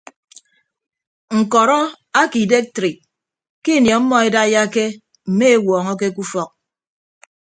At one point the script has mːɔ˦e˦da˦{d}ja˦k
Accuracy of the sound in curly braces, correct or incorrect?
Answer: incorrect